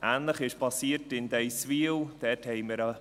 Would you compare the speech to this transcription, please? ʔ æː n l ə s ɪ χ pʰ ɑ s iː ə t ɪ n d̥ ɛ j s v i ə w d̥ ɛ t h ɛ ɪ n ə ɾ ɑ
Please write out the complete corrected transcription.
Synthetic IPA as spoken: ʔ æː n l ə χ ɪ ʃ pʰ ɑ s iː ə t ɪ n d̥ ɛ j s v i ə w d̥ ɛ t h ɛ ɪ m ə ɾ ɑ